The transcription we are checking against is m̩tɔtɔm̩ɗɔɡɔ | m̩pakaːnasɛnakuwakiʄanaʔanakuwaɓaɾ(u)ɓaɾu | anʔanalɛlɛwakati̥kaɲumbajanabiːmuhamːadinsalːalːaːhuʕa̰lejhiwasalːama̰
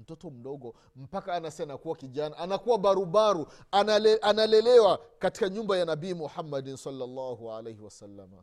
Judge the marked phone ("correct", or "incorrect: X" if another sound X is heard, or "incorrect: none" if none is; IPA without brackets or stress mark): correct